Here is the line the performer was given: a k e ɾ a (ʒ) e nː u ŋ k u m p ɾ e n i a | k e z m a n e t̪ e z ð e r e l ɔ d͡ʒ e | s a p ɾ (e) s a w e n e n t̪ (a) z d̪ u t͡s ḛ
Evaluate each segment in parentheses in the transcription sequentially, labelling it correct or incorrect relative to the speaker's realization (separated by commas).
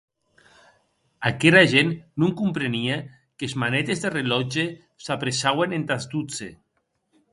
correct, correct, correct